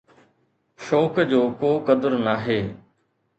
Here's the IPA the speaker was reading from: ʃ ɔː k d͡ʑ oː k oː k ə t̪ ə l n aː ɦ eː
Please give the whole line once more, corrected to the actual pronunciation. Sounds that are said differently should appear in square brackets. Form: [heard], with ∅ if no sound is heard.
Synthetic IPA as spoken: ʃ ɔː k d͡ʑ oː k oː k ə [d̪] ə [ɾ] n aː ɦ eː